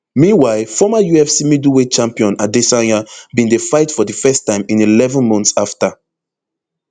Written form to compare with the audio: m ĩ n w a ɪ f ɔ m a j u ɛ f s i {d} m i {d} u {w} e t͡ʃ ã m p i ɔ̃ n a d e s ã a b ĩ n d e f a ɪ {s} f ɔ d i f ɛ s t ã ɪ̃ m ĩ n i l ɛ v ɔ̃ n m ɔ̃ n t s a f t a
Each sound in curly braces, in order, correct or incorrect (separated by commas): incorrect, correct, correct, incorrect